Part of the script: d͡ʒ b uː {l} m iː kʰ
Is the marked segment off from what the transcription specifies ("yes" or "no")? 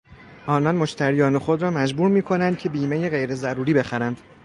yes